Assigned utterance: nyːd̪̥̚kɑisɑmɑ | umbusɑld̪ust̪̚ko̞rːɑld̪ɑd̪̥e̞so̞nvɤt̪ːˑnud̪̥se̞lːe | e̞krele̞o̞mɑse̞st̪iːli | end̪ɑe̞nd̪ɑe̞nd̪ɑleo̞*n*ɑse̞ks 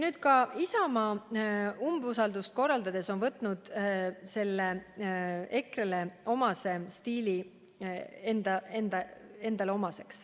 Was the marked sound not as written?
yes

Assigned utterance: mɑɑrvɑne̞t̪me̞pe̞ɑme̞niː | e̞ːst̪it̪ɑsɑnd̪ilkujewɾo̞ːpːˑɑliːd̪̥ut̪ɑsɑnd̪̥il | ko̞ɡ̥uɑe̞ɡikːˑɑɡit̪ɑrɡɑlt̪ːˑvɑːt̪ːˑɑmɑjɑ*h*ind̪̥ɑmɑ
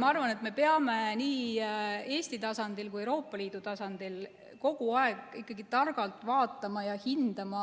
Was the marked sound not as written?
no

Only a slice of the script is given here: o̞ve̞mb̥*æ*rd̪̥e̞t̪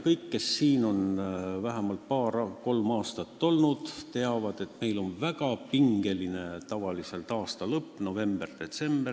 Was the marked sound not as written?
yes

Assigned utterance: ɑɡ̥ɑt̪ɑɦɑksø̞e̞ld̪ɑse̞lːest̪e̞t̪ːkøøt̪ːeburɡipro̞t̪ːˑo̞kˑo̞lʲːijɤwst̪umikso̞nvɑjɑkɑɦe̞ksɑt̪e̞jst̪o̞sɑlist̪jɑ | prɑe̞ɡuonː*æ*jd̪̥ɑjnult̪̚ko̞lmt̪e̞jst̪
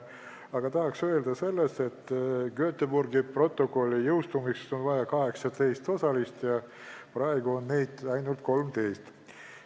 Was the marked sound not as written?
yes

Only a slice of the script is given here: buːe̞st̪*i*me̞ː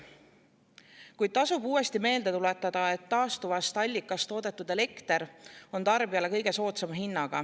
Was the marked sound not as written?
no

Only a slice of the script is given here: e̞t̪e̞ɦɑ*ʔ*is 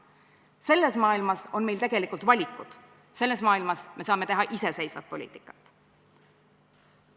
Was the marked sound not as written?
no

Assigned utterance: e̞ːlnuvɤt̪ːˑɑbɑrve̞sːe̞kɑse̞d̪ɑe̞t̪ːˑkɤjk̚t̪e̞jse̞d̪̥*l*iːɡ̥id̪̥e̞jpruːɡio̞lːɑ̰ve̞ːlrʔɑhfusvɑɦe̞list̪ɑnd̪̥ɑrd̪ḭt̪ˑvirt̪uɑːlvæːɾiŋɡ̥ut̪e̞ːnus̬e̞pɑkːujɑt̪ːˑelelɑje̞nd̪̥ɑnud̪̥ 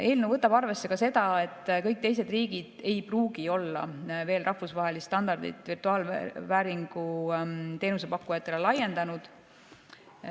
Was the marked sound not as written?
yes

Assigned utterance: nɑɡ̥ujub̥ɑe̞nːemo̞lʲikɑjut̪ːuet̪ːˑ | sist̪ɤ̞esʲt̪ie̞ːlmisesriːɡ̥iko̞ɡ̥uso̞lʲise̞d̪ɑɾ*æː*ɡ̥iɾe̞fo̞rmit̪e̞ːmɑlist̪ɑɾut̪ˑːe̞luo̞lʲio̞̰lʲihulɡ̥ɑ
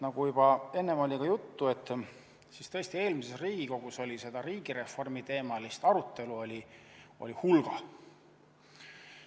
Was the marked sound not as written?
yes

